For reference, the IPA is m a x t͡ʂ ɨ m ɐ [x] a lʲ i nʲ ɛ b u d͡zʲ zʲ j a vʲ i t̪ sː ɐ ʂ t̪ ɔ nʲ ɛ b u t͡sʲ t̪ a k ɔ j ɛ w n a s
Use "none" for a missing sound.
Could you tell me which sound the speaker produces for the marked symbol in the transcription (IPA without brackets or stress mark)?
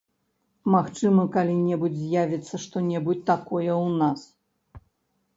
k